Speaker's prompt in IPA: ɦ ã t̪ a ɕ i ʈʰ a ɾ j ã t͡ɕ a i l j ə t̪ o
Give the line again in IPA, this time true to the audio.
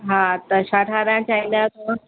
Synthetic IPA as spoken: ɦ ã t̪ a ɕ a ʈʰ a ɾ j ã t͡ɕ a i l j a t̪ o